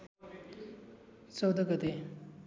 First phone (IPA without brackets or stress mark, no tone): t͡s